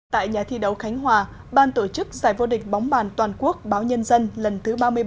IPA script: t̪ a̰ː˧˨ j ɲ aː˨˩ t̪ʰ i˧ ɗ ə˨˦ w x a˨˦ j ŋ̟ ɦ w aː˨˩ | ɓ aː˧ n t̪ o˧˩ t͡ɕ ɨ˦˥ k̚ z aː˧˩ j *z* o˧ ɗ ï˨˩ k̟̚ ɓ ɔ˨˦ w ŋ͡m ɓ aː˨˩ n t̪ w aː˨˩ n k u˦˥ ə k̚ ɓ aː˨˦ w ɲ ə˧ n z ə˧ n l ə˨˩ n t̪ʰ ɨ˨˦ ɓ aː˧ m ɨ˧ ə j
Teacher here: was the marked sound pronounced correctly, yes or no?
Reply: no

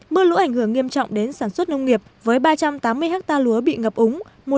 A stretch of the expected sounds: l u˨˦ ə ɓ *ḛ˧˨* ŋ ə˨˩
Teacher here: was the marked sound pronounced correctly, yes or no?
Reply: no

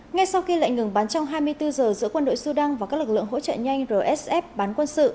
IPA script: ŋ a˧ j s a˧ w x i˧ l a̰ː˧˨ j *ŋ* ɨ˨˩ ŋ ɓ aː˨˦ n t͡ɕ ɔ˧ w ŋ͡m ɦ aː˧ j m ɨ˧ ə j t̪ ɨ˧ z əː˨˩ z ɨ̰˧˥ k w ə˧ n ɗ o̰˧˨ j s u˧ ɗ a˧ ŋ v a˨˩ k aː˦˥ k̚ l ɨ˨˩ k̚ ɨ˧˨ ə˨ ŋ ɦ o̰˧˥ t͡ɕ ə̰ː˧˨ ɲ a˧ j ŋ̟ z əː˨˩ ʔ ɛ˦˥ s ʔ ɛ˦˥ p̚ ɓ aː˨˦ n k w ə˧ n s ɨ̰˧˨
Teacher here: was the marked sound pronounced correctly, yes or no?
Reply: yes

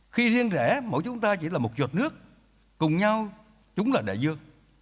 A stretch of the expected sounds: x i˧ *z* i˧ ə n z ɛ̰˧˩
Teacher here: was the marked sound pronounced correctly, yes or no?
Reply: yes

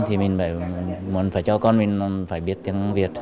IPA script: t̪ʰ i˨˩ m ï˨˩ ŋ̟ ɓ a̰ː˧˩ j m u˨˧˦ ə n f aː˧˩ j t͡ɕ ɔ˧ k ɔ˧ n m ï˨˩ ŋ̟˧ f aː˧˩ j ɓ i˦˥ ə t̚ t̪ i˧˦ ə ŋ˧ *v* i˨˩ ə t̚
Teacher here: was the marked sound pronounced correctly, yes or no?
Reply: yes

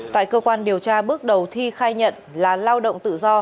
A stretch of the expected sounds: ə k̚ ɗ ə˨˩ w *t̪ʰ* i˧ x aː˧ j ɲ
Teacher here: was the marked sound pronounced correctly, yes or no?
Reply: yes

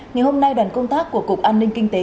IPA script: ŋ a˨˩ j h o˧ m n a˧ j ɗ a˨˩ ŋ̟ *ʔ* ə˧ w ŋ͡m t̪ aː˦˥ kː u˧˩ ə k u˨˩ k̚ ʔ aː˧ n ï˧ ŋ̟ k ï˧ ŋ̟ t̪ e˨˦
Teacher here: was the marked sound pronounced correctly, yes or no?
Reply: no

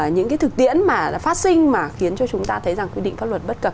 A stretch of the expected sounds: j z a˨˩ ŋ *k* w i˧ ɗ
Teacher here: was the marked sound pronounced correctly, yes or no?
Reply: yes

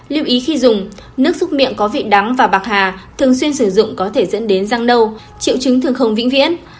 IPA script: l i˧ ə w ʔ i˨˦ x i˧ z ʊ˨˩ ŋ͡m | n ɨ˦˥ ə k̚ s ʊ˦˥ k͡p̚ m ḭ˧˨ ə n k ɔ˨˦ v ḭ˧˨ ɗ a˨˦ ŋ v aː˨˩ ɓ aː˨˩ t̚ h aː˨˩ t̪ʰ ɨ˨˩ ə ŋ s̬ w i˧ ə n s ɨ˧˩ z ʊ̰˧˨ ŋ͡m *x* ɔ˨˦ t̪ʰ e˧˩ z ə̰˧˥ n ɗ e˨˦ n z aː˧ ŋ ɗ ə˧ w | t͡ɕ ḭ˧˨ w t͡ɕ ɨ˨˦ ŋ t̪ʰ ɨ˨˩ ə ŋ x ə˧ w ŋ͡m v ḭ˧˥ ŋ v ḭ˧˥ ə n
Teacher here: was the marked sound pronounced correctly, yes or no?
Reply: no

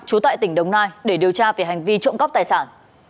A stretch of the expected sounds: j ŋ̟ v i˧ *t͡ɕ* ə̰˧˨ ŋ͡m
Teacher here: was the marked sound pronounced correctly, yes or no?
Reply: yes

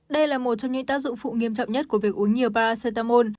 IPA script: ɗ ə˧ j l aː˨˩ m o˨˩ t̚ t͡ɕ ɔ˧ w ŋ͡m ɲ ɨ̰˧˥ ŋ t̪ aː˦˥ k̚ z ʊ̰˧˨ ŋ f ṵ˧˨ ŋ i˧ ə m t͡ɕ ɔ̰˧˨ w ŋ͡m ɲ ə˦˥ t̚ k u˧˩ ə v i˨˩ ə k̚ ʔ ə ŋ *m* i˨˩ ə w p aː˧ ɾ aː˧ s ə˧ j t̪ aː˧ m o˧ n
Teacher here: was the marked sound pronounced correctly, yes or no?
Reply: no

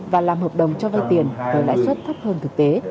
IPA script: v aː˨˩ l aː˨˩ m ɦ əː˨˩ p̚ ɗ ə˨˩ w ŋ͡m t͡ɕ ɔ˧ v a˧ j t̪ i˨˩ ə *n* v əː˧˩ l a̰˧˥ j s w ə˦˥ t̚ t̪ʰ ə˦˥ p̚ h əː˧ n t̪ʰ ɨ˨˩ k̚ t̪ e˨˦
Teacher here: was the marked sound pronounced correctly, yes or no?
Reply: yes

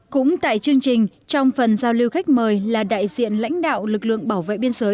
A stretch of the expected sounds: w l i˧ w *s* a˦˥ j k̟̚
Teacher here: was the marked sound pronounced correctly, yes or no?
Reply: no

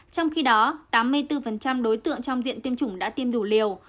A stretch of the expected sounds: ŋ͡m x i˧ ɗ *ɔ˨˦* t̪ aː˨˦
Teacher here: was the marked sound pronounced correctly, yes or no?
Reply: yes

